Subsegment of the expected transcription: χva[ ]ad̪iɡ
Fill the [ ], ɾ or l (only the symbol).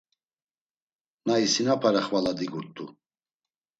l